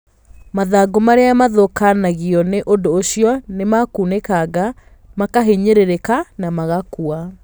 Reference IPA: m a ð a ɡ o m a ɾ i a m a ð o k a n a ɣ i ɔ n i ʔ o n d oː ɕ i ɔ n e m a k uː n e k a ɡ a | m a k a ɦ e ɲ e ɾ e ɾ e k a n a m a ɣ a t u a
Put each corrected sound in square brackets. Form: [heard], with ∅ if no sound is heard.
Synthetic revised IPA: m a ð a ɡ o m a ɾ [e] a m a ð o k a n a ɣ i ɔ n [e] ʔ o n d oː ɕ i ɔ n e m a k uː n e k a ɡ a | m a k a ɦ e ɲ e ɾ e ɾ e k a n a m a ɣ a [k] u a